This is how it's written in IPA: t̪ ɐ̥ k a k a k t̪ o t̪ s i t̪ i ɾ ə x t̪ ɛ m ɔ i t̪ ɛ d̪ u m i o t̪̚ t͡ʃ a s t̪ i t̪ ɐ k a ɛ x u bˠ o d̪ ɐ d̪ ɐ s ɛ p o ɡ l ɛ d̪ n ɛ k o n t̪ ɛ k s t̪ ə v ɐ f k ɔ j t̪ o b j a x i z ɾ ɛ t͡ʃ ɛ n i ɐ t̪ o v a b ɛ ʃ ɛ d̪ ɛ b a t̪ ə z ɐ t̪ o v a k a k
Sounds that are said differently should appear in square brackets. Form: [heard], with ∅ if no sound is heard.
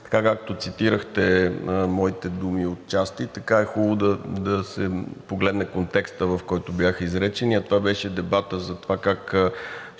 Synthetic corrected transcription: t̪ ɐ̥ k a k a k t̪ o t̪ s i t̪ i ɾ ə x t̪ ɛ m ɔ i t̪ ɛ d̪ u m i o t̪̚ t͡ʃ a s t̪ i t̪ ɐ k a ɛ x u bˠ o d̪ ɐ d̪ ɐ s ɛ p o ɡ l ɛ d̪ n ɛ k o n t̪ ɛ k s t̪ ə v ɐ f k ɔ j t̪ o b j a x i z ɾ ɛ t͡ʃ ɛ n i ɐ t̪ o v a b ɛ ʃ ɛ d̪ ɛ b a t̪ ə z ɐ t̪ o v a k a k